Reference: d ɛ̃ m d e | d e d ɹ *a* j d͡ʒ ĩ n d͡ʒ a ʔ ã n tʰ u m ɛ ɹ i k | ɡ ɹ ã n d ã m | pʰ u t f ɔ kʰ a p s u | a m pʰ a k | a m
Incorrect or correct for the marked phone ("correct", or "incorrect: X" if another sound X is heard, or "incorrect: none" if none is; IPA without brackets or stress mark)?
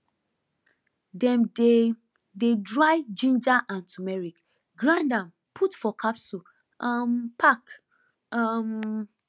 correct